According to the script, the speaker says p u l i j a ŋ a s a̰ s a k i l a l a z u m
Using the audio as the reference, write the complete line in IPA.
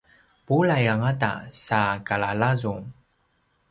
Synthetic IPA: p u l a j a ŋ a t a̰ s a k a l a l a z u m